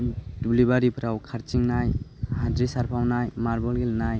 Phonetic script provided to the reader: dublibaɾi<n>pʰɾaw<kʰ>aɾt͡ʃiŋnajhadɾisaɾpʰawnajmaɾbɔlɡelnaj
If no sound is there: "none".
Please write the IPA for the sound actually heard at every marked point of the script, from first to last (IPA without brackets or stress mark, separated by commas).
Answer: none, kʰ